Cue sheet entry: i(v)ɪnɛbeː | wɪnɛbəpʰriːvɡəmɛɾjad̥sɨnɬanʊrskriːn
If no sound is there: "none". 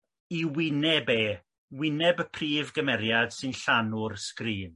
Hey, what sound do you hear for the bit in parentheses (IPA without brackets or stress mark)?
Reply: w